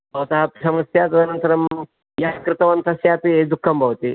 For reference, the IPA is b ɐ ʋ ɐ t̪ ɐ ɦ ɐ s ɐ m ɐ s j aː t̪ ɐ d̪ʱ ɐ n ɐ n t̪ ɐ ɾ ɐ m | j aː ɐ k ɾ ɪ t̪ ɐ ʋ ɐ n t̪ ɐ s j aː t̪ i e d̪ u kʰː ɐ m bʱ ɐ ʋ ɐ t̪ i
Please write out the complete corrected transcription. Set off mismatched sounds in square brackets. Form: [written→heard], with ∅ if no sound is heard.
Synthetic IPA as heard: b ɐ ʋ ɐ t̪ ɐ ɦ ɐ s ɐ m ɐ s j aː t̪ ɐ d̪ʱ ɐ n ɐ n t̪ ɐ ɾ ɐ m | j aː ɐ k ɾ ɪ t̪ ɐ ʋ ɐ n t̪ ɐ s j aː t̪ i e d̪ u kʰː ɐ m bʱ ɐ ʋ ɐ t̪ i